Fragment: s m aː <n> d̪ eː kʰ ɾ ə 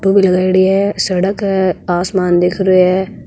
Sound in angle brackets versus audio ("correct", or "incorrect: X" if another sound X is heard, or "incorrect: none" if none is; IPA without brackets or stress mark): correct